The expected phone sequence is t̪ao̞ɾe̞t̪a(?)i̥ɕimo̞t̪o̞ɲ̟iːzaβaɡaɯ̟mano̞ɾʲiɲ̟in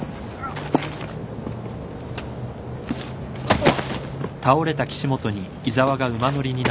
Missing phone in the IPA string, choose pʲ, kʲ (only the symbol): kʲ